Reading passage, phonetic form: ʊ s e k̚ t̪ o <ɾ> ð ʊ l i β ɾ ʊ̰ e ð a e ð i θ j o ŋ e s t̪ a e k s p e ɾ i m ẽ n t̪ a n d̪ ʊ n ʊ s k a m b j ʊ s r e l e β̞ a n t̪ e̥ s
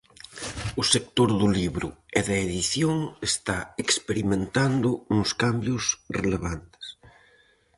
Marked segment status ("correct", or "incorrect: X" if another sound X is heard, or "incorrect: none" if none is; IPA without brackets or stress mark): correct